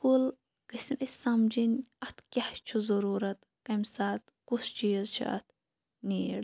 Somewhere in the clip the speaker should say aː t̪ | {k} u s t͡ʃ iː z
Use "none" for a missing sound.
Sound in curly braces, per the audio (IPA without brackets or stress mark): k